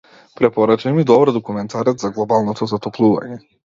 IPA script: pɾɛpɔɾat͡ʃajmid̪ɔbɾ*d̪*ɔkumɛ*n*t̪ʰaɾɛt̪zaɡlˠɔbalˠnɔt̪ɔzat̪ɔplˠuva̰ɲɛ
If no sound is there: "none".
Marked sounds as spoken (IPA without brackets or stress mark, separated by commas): d̪, n